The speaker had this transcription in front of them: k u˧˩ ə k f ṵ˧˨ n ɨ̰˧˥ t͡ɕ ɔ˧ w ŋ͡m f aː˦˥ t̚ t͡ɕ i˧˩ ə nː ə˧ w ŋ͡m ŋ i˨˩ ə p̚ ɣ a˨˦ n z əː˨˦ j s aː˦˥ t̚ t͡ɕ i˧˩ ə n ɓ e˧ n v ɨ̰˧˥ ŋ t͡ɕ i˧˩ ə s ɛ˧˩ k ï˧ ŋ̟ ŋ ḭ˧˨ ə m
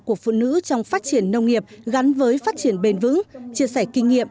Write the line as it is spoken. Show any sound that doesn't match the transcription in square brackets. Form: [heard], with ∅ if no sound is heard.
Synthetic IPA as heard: k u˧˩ ə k f ṵ˧˨ n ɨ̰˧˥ t͡ɕ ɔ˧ w ŋ͡m f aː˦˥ t̚ t͡ɕ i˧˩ ə nː ə˧ w ŋ͡m ŋ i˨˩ ə p̚ ɣ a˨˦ n [v] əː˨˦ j [f] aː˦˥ t̚ t͡ɕ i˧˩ ə n ɓ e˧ n v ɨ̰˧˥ ŋ t͡ɕ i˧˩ ə s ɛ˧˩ k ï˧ ŋ̟ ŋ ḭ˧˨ ə m

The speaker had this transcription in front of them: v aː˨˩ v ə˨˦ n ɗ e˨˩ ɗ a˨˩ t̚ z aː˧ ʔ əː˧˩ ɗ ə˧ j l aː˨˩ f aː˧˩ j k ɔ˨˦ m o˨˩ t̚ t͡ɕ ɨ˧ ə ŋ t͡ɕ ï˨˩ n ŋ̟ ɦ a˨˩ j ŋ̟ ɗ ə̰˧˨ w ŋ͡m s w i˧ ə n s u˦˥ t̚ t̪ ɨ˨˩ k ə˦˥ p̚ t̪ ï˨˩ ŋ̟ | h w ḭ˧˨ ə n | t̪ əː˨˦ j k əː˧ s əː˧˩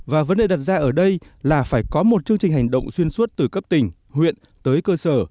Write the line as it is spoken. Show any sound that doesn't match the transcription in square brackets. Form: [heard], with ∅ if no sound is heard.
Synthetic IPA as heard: v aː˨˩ v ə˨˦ n ɗ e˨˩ ɗ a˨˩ t̚ z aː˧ ʔ əː˧˩ ɗ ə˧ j l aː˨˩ f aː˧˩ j k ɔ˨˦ m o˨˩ t̚ t͡ɕ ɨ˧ ə ŋ t͡ɕ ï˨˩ [∅] ŋ̟ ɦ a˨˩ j ŋ̟ ɗ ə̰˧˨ w ŋ͡m s w i˧ ə n s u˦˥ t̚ t̪ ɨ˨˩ k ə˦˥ p̚ t̪ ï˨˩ ŋ̟ | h w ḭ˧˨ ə n | t̪ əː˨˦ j k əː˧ s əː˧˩

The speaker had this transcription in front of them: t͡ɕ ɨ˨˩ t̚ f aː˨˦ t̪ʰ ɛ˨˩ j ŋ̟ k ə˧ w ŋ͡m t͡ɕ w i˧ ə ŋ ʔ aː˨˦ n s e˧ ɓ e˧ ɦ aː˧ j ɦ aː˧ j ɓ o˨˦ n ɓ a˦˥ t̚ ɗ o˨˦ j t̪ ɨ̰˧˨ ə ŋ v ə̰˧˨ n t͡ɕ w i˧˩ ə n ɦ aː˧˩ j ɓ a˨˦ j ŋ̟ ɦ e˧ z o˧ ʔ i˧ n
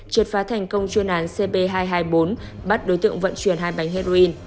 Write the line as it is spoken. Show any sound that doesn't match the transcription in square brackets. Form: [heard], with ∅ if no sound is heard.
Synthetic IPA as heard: t͡ɕ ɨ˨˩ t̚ f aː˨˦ t̪ʰ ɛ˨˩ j ŋ̟ k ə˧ w ŋ͡m t͡ɕ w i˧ ə [n] ʔ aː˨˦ n s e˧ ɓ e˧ ɦ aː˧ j ɦ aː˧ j ɓ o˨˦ n ɓ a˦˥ t̚ ɗ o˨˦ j t̪ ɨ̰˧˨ ə ŋ v ə̰˧˨ n t͡ɕ w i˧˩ ə n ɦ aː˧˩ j ɓ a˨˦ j ŋ̟ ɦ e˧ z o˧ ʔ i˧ n

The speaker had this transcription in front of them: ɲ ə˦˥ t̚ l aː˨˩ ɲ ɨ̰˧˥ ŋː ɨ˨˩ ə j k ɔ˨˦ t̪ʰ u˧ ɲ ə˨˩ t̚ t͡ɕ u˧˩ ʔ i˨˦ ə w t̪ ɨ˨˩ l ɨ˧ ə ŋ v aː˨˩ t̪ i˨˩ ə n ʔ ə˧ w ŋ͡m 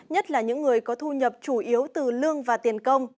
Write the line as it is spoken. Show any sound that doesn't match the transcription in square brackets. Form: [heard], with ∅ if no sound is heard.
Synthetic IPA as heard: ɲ ə˦˥ t̚ l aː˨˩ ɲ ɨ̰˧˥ ŋː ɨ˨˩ ə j k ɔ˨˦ t̪ʰ u˧ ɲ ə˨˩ [p̚] t͡ɕ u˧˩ ʔ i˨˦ ə w t̪ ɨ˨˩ l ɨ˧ ə ŋ v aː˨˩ t̪ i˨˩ ə n [k] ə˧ w ŋ͡m

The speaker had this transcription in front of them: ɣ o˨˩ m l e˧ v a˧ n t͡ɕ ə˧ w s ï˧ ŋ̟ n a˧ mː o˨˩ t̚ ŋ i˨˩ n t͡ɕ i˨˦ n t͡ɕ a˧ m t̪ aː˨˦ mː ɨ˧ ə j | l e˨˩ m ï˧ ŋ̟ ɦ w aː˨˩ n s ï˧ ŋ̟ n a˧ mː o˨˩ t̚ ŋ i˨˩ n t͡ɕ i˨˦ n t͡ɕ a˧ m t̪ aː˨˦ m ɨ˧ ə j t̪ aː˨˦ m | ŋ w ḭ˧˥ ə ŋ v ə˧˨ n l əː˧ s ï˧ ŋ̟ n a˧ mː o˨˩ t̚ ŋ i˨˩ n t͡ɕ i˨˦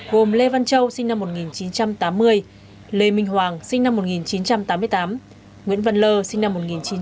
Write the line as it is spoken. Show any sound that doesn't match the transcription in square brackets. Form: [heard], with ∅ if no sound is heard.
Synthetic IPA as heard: ɣ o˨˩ m l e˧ v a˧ n t͡ɕ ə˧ w s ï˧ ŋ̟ n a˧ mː o˨˩ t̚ ŋ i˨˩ n t͡ɕ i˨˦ n t͡ɕ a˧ m t̪ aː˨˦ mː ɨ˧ ə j | l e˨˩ m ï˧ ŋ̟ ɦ w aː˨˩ [ŋ] s ï˧ ŋ̟ n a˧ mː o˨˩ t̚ ŋ i˨˩ n t͡ɕ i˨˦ n t͡ɕ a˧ m t̪ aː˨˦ m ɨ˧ ə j t̪ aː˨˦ m | ŋ w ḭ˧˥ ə [n] v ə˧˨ n l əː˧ s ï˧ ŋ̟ n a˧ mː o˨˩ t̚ ŋ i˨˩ n t͡ɕ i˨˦

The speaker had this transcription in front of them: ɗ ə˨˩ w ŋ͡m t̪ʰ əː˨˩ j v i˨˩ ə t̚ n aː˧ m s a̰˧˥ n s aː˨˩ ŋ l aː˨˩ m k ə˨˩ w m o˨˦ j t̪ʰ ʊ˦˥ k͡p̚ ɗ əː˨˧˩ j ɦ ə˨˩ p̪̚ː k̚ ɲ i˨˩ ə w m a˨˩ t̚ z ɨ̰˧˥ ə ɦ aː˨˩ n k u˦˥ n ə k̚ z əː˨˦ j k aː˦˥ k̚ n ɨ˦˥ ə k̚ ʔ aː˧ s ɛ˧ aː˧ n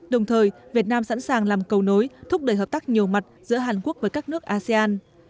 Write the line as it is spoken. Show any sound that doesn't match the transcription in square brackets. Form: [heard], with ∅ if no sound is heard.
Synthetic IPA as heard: ɗ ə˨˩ w ŋ͡m t̪ʰ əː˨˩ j v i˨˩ ə t̚ n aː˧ m s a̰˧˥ n s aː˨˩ ŋ l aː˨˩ m k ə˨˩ w [n] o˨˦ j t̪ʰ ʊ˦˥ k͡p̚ ɗ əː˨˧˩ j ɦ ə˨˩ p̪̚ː k̚ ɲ i˨˩ ə w m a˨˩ t̚ z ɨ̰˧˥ ə ɦ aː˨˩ n k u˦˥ [∅] ə k̚ [v] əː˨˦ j k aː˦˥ k̚ n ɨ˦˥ ə k̚ ʔ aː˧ s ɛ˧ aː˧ n

